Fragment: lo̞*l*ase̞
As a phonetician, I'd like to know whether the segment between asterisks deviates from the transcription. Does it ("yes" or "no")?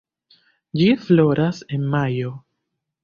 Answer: yes